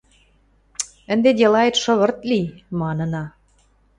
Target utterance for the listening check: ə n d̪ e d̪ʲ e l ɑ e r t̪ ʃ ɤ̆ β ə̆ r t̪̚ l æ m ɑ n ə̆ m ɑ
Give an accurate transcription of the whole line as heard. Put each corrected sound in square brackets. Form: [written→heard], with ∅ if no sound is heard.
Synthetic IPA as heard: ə n d̪ e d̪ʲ e l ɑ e [r→∅] t̪ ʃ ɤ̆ β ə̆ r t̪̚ l [æ→i] m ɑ n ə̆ [m→n] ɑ

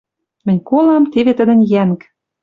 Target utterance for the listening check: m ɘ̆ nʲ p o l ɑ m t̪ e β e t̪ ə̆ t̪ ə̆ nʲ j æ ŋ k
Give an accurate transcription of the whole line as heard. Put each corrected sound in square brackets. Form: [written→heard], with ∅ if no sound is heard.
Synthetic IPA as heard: m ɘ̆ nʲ [p→k] o l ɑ m t̪ e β e t̪ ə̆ [t̪→d̪] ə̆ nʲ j æ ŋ k

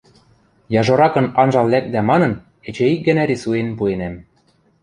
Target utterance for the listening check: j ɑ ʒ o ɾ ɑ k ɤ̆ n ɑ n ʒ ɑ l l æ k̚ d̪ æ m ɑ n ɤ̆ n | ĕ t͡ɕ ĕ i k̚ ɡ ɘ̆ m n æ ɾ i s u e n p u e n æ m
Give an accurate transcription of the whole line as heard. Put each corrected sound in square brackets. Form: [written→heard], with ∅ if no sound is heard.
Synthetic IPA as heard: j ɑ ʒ o ɾ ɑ k ɤ̆ n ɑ n ʒ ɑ l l æ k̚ d̪ æ m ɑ n ɤ̆ n | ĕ t͡ɕ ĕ i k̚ ɡ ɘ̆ [m→∅] n æ ɾ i s u e n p u e n æ m

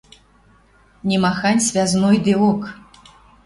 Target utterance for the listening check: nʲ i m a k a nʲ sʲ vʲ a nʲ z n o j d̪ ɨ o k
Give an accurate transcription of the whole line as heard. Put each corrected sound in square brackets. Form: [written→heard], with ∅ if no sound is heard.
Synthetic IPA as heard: nʲ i m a [k→x] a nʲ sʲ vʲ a [nʲ→∅] z n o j d̪ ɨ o k

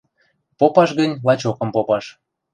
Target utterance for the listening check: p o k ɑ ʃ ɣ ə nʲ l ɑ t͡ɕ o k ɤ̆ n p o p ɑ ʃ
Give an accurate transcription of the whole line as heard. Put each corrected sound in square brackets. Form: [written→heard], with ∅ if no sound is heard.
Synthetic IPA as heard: p o [k→p] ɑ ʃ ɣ ə nʲ l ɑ t͡ɕ o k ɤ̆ [n→m] p o p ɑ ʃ

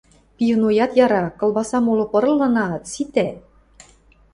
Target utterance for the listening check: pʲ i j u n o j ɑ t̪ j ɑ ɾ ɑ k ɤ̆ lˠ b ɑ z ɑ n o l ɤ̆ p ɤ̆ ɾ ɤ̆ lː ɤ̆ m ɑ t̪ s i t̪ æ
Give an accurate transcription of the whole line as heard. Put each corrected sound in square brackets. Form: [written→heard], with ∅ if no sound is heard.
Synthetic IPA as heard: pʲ i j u n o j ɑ t̪ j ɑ ɾ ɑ k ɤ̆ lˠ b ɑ [z→s] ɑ [n→m] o l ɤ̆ p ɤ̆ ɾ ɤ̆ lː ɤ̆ [m→n] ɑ t̪ s i t̪ æ

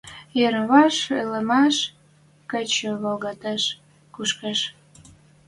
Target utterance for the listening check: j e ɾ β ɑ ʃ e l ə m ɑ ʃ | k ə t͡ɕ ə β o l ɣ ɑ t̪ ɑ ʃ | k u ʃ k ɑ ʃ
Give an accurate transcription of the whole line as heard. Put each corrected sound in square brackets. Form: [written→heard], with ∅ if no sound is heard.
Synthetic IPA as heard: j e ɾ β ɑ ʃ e l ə m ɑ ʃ | k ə t͡ɕ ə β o l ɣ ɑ t̪ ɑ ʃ | k u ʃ k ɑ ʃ

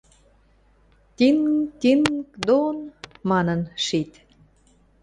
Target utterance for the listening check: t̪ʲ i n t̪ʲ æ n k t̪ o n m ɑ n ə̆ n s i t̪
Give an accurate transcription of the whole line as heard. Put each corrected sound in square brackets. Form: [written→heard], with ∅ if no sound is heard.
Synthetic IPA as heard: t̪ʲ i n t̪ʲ [æ→i] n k [t̪→d̪] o n m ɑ n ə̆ n [s→ʃ] i t̪

